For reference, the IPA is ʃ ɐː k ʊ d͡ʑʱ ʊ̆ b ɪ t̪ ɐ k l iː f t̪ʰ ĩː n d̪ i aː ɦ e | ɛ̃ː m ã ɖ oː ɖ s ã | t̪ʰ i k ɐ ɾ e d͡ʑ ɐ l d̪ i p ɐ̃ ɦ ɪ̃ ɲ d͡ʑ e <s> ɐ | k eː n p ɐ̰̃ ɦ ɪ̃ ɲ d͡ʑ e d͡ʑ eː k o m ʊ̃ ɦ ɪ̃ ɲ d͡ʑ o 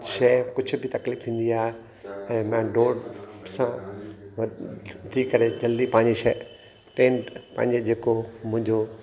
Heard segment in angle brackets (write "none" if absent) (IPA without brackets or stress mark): ʃ